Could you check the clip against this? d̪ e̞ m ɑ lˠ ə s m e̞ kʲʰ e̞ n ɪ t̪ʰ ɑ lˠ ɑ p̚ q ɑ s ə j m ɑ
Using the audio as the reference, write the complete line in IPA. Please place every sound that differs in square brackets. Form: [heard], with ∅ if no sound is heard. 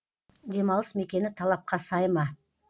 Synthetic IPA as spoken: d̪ e̞ m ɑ lˠ ə s m e̞ [kʲ] e̞ n ɪ t̪ʰ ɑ lˠ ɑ p̚ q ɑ s [ɑ] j m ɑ